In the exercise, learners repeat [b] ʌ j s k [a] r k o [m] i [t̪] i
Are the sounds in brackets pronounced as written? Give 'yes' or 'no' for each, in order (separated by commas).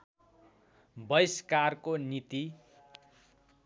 yes, yes, no, yes